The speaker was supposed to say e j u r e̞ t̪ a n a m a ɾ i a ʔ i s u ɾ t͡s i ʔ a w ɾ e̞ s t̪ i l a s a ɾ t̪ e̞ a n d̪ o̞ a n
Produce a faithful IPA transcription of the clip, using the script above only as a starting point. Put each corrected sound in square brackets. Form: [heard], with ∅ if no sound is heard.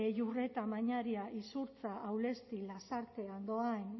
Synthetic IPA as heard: e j u r e̞ t̪ a [m] a [ɲ] a ɾ i a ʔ i s u ɾ t͡s [a] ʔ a w [l] e̞ s t̪ i l a s a ɾ t̪ e̞ a n d̪ o̞ a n

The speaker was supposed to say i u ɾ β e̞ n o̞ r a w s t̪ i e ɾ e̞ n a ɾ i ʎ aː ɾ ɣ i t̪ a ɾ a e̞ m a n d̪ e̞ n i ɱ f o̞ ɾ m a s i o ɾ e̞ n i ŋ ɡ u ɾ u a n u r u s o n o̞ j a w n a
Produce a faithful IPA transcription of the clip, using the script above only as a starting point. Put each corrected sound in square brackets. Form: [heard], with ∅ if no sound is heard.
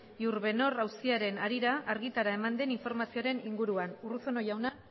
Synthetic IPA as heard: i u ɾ β e̞ n o̞ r a w s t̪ i [a] ɾ e̞ n a ɾ i [ɾ] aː ɾ ɣ i t̪ a ɾ a e̞ m a n d̪ e̞ n i ɱ f o̞ ɾ m a s i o ɾ e̞ n i ŋ ɡ u ɾ u a n u r u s o n o̞ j a w n a

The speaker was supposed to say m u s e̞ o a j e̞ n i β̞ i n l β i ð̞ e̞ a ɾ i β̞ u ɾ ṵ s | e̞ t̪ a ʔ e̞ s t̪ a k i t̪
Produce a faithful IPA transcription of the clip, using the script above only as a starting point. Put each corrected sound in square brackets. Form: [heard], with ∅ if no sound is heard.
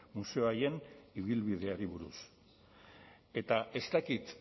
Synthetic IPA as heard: m u s e̞ o a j e̞ n i β̞ i [∅] l β i ð̞ e̞ a ɾ i β̞ u ɾ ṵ s | e̞ t̪ a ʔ e̞ s t̪ a k i t̪

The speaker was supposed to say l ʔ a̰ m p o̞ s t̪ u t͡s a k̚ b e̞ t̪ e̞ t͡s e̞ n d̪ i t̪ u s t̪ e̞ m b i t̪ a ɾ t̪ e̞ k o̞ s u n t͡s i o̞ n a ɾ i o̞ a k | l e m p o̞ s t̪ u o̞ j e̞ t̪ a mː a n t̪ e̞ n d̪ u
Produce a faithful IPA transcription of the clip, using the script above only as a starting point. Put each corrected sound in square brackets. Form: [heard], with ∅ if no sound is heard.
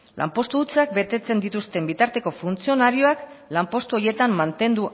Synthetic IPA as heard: l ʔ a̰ m p o̞ s t̪ u t͡s a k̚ b e̞ t̪ e̞ t͡s e̞ n d̪ i t̪ u s t̪ e̞ m b i t̪ a ɾ t̪ e̞ k o̞ [f] u n t͡s i o̞ n a ɾ i o̞ a k | l [a] m p o̞ s t̪ u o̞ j e̞ t̪ a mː a n t̪ e̞ n d̪ u

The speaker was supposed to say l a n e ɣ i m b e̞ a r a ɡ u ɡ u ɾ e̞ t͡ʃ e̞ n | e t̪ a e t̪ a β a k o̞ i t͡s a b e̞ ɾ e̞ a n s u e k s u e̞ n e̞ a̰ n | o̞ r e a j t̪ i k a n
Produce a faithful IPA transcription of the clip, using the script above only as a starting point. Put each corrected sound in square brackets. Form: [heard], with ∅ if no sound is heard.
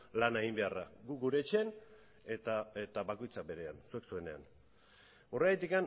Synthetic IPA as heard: l a n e ɣ i m b e̞ a r a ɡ u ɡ u ɾ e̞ t͡ʃ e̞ n | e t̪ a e t̪ a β a k o̞ [j] t͡s a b e̞ ɾ e̞ a n s u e k s u e̞ n e̞ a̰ n | o̞ r e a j t̪ i k a n

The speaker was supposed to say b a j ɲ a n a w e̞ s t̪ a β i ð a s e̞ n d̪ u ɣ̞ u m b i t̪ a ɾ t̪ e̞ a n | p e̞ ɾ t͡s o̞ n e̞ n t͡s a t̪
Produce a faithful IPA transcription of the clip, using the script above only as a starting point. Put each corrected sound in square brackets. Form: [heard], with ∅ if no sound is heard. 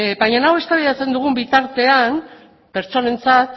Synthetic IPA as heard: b a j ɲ a n a w e̞ s t̪ a β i ð a [t͡s] e̞ n d̪ u ɣ̞ u m b i t̪ a ɾ t̪ e̞ a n | p e̞ ɾ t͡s o̞ n e̞ n t͡s a t̪

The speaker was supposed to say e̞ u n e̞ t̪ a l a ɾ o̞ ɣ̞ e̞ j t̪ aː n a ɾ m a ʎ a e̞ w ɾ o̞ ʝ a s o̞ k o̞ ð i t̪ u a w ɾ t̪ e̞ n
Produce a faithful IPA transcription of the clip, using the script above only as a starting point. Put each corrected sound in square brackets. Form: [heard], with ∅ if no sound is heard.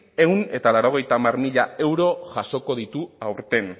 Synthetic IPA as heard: e̞ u n e̞ t̪ a l a ɾ o̞ ɣ̞ e̞ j t̪ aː [m] a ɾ m [i] ʎ a e̞ w ɾ o̞ ʝ a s o̞ k o̞ ð i t̪ u a w ɾ t̪ e̞ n

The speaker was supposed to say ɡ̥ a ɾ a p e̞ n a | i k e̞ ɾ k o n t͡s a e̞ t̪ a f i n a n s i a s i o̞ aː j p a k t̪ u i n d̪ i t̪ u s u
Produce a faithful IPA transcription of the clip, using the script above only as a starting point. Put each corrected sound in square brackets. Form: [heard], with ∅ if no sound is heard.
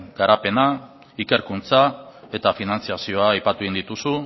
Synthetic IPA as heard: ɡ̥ a ɾ a p e̞ n a | i k e̞ ɾ k [u] n t͡s a e̞ t̪ a f i n a n [t͡s] i a s i o̞ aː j p a [∅] t̪ u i n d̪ i t̪ u s u

